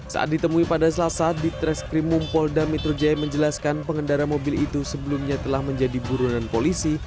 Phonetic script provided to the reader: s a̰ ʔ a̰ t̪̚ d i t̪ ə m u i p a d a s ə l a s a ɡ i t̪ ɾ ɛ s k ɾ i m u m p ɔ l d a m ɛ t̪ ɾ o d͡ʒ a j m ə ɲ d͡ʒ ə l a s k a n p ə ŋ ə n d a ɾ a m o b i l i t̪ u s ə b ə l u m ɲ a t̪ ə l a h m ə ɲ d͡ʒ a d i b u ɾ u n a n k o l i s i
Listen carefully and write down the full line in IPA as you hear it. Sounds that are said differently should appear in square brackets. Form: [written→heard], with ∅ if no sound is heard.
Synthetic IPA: s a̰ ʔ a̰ t̪̚ d i t̪ ə m u i p a d a s ə l a s a [ɡ→d] i t̪ ɾ ɛ s k ɾ i m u m p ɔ l d a m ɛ t̪ ɾ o d͡ʒ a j m ə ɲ d͡ʒ ə l a s k a n p ə ŋ ə n d a ɾ a m o b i l i t̪ u s ə b ə l u m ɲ a t̪ ə l a h m ə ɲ d͡ʒ a d i b u ɾ u n a n [k→p] o l i s i